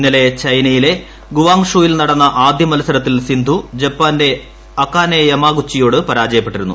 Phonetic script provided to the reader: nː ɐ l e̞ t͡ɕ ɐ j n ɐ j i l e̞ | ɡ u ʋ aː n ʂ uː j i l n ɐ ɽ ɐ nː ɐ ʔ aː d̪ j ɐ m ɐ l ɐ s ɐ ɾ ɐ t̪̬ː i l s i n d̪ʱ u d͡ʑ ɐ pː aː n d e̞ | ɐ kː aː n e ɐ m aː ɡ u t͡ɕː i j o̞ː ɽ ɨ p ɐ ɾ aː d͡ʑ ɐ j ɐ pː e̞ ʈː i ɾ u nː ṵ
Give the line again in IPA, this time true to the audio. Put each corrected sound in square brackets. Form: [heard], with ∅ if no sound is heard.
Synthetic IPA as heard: nː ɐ l e̞ t͡ɕ ɐ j n ɐ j i l e̞ | ɡ u ʋ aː [ŋ] ʂ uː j i l n ɐ ɽ ɐ nː ɐ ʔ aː d̪ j ɐ m ɐ l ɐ s ɐ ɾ ɐ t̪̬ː i l s i n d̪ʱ u d͡ʑ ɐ pː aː n d e̞ | ɐ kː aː n e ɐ m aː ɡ u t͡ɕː i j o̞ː ɽ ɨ p ɐ ɾ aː d͡ʑ ɐ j ɐ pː e̞ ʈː i ɾ u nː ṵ

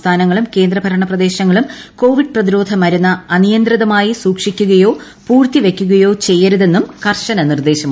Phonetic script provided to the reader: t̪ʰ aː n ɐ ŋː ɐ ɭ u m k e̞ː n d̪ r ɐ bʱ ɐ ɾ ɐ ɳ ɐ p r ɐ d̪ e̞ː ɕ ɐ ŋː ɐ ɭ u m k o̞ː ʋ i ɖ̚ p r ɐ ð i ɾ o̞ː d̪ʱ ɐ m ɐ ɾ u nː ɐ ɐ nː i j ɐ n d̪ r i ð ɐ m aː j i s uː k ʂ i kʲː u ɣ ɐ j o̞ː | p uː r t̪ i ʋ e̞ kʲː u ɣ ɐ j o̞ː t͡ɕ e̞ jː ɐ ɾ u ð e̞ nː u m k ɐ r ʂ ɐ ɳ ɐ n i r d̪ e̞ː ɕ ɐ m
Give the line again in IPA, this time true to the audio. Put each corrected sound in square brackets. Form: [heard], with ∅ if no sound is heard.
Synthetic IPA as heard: t̪ʰ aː n ɐ ŋː ɐ ɭ u m k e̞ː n d̪ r ɐ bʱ ɐ ɾ ɐ ɳ ɐ p r ɐ d̪ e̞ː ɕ ɐ ŋː ɐ ɭ u m k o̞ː ʋ i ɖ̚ p r ɐ ð i ɾ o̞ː d̪ʱ ɐ m ɐ ɾ u nː ɐ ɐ [n] i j ɐ n d̪ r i ð ɐ m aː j i s uː k ʂ i kʲː u ɣ ɐ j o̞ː | p uː r t̪ i ʋ e̞ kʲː u ɣ ɐ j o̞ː t͡ɕ e̞ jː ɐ ɾ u ð e̞ nː u m k ɐ r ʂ ɐ [n] ɐ n i r d̪ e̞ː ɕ ɐ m

